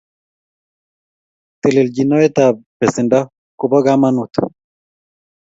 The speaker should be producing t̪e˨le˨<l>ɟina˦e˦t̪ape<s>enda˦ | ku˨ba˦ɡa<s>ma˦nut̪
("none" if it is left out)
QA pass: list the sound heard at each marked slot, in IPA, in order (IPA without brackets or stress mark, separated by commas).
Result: l, s, none